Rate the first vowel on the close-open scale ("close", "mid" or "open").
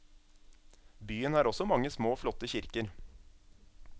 close